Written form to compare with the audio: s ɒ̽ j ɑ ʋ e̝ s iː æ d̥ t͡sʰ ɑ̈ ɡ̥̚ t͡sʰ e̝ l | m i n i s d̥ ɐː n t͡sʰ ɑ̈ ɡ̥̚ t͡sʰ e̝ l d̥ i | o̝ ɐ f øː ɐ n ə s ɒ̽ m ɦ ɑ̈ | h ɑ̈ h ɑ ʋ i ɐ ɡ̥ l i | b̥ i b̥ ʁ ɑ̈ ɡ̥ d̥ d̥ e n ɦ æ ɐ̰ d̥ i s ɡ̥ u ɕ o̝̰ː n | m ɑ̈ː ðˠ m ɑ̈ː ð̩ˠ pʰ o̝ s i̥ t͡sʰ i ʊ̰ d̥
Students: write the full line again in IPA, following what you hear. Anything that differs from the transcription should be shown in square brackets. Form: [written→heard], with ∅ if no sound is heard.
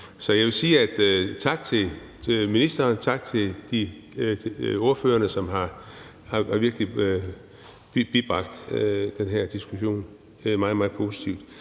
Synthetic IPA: s ɒ̽ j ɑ ʋ e̝ s iː æ d̥ t͡sʰ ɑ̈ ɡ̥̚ t͡sʰ e̝ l | m i n i s d̥ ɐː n t͡sʰ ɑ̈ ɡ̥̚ t͡sʰ e̝ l d̥ i | o̝ ɐ f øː ɐ n ə s ɒ̽ m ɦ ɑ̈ | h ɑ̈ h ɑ ʋ i ɐ ɡ̥ l i | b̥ i b̥ ʁ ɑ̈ ɡ̥ d̥ d̥ e n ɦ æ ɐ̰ d̥ i s ɡ̥ u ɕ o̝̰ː n | m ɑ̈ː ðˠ m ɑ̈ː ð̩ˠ pʰ o̝ s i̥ t͡sʰ i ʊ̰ d̥

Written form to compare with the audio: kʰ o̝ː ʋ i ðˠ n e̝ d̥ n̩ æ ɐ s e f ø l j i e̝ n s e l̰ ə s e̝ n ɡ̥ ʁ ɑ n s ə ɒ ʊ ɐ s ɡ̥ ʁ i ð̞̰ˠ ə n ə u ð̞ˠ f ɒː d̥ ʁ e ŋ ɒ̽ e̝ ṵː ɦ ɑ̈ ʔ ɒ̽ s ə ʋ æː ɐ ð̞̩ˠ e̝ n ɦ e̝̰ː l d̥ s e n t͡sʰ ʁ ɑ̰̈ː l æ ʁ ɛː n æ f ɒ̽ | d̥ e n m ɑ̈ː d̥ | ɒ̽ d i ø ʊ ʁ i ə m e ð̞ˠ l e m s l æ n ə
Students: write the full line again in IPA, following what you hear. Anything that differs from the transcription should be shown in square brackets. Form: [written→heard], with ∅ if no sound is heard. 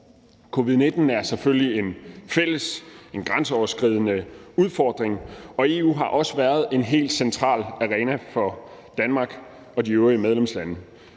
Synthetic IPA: kʰ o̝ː ʋ i ðˠ n e̝ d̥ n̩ æ ɐ s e f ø l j i e̝ n [s→f] e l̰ ə s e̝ n ɡ̥ ʁ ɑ n s ə ɒ ʊ ɐ s ɡ̥ ʁ i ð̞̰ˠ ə n ə u ð̞ˠ f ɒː d̥ ʁ e ŋ ɒ̽ e̝ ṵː ɦ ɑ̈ ʔ ɒ̽ s ə ʋ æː ɐ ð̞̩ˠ e̝ n ɦ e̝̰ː l d̥ s e n t͡sʰ ʁ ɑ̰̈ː l æ ʁ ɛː n æ f ɒ̽ | d̥ [e→æ] n m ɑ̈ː [d̥→ɡ̥] | ɒ̽ d i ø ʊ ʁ i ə m e ð̞ˠ l e m s l æ n ə

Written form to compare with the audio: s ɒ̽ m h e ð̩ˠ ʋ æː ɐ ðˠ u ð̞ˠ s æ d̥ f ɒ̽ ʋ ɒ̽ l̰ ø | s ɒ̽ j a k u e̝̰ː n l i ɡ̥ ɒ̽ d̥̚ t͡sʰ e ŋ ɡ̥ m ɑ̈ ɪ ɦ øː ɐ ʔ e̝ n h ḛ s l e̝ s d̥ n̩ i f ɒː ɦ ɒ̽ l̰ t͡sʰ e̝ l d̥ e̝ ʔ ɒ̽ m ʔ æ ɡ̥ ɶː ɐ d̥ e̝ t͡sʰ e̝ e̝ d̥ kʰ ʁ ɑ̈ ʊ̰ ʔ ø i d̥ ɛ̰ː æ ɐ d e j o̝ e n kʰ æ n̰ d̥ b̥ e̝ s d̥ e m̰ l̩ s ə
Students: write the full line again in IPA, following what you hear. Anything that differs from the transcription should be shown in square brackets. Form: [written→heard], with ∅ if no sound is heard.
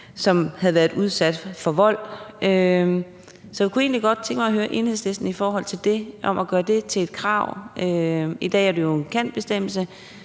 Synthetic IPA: s ɒ̽ m h [e→æ] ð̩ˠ ʋ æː ɐ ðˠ u ð̞ˠ s æ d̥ f ɒ̽ ʋ ɒ̽ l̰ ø | s ɒ̽ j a k u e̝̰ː n l i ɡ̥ ɒ̽ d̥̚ t͡sʰ e ŋ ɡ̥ m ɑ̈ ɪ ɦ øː ɐ ʔ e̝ n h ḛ s l e̝ s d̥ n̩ i f ɒː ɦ ɒ̽ l̰ t͡sʰ e̝ l d̥ e̝ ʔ ɒ̽ m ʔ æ ɡ̥ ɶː ɐ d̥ e̝ t͡sʰ e̝ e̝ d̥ kʰ ʁ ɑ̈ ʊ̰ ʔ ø i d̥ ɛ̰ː æ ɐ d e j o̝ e n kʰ æ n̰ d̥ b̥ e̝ s d̥ e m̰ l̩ s ə

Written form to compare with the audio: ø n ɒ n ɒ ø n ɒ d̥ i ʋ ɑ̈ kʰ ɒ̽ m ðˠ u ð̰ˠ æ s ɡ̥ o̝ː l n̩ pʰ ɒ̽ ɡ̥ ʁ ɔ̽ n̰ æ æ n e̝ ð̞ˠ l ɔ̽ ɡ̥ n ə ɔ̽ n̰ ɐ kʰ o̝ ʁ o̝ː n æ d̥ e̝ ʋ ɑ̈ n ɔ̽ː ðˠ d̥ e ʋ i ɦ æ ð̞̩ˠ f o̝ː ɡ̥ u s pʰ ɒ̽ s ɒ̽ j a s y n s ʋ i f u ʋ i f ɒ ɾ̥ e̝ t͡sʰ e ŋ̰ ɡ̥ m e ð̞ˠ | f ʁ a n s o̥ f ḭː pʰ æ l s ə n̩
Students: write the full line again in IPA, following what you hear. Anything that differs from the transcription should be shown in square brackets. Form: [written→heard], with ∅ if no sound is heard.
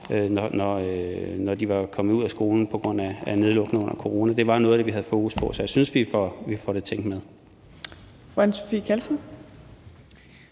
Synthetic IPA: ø n ɒ n ɒ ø n ɒ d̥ i ʋ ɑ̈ kʰ ɒ̽ m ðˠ u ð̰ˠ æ s ɡ̥ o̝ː l n̩ pʰ ɒ̽ ɡ̥ ʁ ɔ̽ n̰ æ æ n e̝ ð̞ˠ l ɔ̽ ɡ̥ n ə ɔ̽ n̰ ɐ kʰ o̝ ʁ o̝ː n æ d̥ e̝ ʋ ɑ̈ n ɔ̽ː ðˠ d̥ e ʋ i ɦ æ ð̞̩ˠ f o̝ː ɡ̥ u s pʰ ɒ̽ s ɒ̽ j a s y n s ʋ i f [u→ɒ] ʋ i f ɒ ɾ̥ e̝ t͡sʰ e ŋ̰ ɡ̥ m e ð̞ˠ | f ʁ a n s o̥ f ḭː [pʰ→kʰ] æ l s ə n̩

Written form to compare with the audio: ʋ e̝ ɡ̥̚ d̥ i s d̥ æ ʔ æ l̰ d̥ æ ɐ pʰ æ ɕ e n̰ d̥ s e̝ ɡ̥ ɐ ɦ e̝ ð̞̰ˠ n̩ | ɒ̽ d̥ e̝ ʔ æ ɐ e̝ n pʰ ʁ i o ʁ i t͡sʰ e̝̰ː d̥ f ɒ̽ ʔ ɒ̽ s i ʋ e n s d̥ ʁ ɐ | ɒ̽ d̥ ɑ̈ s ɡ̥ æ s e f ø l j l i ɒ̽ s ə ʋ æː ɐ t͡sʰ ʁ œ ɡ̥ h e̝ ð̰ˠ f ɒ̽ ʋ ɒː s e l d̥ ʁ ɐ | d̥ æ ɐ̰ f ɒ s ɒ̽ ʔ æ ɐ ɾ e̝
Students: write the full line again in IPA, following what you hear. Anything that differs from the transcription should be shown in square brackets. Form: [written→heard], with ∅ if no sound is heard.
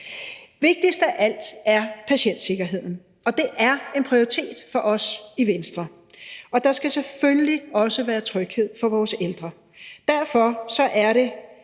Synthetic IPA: ʋ e̝ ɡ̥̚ d̥ i s d̥ æ ʔ æ l̰ d̥ æ ɐ pʰ æ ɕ e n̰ d̥ s e̝ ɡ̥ ɐ ɦ e̝ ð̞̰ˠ n̩ | ɒ̽ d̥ e̝ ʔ æ ɐ e̝ n pʰ ʁ i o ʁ i t͡sʰ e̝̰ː d̥ f ɒ̽ ʔ ɒ̽ s i ʋ e n s d̥ ʁ ɐ | ɒ̽ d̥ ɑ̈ s ɡ̥ æ s e f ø l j l i ɒ̽ s ə ʋ æː ɐ t͡sʰ ʁ œ ɡ̥ h e̝ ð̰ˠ f ɒ̽ ʋ ɒː s e l d̥ ʁ ɐ | d̥ æ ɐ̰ f ɒ s ɒ̽ ʔ æ ɐ ɾ e̝

